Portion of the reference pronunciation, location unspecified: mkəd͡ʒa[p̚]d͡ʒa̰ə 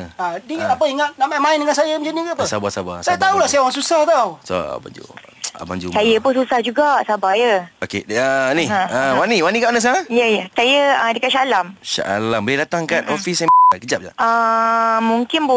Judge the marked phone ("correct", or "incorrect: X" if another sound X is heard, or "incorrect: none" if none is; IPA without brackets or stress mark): correct